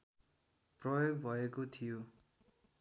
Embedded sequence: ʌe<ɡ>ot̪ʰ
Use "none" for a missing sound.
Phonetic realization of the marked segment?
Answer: k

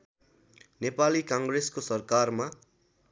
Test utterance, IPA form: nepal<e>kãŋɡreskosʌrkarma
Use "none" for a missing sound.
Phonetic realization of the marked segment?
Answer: i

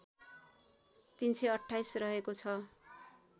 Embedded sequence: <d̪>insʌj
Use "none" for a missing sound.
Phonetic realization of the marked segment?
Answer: t̪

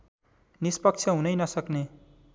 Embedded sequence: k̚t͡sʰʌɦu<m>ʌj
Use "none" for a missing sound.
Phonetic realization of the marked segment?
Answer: n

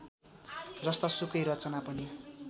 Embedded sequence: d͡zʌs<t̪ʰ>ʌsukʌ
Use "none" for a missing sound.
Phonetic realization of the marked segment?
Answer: t̪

